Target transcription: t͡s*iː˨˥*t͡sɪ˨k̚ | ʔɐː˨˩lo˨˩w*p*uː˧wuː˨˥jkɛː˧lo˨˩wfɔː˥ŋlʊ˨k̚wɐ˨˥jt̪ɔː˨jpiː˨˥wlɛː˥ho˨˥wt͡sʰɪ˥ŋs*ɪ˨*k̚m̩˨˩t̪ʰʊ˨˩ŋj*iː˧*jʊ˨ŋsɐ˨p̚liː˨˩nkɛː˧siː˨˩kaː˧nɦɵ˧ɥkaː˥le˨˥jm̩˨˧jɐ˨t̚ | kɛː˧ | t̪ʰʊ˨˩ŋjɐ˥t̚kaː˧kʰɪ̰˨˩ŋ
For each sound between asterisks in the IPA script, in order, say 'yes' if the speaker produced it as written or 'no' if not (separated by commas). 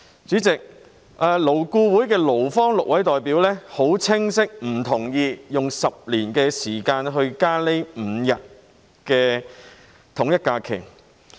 no, no, no, yes